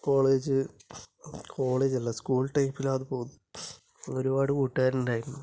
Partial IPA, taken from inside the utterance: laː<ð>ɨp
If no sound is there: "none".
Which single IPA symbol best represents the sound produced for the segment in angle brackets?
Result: ð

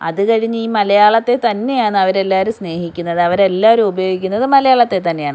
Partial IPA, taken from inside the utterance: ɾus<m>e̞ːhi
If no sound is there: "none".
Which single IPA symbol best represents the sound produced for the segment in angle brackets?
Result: n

